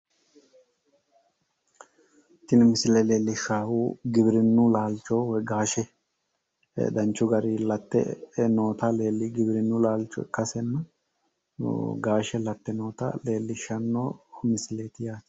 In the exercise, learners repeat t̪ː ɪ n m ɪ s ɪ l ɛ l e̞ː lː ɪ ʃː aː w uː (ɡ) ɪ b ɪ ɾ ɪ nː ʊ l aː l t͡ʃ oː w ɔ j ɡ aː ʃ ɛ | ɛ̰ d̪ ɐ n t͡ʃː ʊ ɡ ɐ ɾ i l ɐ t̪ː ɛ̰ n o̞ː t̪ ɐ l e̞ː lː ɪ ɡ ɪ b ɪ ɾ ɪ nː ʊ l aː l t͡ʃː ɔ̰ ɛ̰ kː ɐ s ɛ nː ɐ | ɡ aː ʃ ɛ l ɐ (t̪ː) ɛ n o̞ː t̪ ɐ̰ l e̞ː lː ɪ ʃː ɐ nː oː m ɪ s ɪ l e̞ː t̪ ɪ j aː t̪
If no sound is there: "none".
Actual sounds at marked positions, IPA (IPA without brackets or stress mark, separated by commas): ɡ, t̪ː